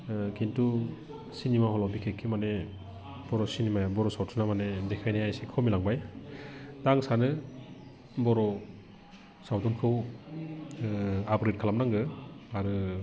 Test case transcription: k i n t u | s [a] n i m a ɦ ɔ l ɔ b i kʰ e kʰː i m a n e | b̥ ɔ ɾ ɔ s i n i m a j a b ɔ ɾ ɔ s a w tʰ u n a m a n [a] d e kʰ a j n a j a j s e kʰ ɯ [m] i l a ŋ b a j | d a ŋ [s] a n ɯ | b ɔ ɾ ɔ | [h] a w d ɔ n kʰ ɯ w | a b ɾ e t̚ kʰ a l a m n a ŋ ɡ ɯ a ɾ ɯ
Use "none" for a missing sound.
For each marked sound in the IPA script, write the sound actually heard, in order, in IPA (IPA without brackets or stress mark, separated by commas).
i, e, m, s, s